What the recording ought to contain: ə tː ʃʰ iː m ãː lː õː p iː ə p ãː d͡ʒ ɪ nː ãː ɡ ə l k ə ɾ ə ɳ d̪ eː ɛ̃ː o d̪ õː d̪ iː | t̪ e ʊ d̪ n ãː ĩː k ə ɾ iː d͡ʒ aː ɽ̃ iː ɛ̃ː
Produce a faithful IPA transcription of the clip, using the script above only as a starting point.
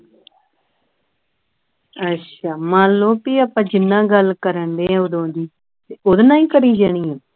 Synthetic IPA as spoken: ə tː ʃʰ aː m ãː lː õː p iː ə p ãː d͡ʒ ɪ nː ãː ɡ ə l k ə ɾ ə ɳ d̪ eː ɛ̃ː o d̪ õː d̪ iː | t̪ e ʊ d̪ n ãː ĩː k ə ɾ iː d͡ʒ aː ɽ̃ iː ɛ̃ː